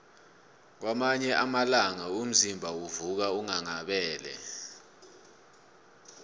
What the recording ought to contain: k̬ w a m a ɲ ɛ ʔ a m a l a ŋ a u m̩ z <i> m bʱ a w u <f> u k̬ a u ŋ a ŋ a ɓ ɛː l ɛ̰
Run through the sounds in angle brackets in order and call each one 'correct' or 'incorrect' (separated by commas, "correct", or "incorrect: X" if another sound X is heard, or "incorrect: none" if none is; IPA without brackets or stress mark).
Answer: correct, incorrect: v